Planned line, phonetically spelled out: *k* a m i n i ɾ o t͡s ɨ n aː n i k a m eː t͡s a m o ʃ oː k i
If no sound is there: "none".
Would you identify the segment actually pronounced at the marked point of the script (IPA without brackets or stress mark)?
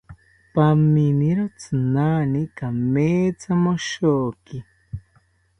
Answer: p